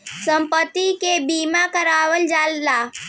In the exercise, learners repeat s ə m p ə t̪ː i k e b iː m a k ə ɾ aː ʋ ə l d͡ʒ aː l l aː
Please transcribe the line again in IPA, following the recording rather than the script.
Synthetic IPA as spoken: s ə m p ə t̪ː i k e b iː m a k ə ɾ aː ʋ ə l d͡ʒ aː l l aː